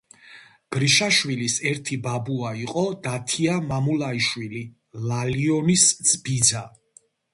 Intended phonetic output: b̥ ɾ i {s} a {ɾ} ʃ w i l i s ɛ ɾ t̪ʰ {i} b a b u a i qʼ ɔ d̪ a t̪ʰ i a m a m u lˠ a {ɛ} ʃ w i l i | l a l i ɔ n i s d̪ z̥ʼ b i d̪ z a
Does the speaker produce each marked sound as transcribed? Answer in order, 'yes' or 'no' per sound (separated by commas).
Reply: no, no, yes, no